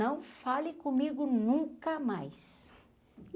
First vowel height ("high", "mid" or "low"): low